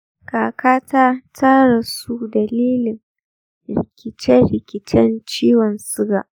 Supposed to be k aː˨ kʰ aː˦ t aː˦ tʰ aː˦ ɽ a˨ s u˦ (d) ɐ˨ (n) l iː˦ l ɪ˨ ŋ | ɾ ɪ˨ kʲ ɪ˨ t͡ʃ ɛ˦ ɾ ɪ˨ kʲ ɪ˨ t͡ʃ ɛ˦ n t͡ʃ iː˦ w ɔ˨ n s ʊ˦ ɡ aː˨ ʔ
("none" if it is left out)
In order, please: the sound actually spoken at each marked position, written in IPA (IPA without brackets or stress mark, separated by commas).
d, none